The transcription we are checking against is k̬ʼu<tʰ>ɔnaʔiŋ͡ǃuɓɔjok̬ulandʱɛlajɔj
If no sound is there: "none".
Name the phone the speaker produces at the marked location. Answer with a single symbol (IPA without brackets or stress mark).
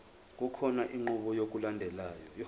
kʰ